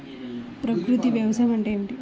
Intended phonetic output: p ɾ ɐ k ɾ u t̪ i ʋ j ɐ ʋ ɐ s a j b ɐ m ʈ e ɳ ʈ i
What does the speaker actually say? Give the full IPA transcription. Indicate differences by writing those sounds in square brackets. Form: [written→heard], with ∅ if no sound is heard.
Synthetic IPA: p ɾ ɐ k ɾ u t̪ i ʋ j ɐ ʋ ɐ s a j [b→m] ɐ [m→ɳ] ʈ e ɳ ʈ i